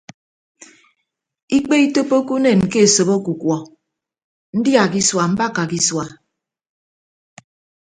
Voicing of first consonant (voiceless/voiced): voiceless